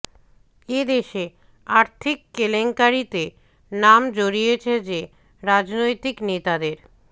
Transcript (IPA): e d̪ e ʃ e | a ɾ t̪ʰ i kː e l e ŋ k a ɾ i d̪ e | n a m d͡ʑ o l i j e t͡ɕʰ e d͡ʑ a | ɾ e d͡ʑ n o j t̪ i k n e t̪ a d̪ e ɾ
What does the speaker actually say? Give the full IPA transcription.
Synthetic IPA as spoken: e d̪ e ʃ e | a ɾ t̪ʰ i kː e l e ŋ k a ɾ i t̪ e | n a m d͡ʑ o ɾ i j e t͡ɕʰ e d͡ʑ e | ɾ a d͡ʑ n o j t̪ i k n e t̪ a d̪ e ɾ